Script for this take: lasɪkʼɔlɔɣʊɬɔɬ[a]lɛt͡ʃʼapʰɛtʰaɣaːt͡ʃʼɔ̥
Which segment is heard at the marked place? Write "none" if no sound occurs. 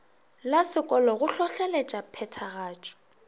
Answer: ɛ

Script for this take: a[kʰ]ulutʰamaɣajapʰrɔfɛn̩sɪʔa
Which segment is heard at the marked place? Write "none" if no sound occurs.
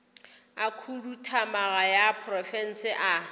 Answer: kʰ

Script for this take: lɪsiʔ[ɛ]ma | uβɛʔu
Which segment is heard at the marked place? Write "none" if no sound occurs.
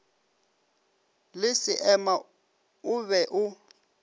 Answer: ɛ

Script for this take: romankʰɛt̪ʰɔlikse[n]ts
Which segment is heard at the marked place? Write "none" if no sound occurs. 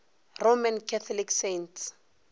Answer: n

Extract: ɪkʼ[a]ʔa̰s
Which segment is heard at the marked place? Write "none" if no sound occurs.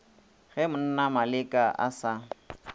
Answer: a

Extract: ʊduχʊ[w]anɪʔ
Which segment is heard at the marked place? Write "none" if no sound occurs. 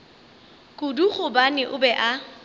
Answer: b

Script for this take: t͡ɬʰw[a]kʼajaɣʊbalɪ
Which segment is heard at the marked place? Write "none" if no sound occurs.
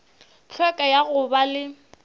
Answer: ɛ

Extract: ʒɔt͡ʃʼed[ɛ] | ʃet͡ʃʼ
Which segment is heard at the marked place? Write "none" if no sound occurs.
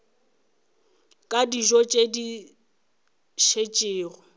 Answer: i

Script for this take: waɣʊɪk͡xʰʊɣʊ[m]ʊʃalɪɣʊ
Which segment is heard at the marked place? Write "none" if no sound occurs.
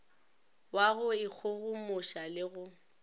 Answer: m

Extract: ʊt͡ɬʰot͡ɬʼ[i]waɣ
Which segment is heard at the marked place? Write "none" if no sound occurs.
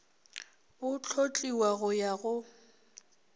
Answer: i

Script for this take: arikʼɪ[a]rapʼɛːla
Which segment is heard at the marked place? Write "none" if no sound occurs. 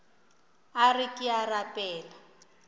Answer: a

